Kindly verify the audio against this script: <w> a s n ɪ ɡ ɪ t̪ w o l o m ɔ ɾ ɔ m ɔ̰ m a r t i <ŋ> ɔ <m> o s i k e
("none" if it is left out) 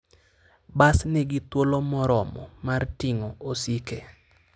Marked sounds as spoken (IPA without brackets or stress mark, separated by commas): b, ŋ, none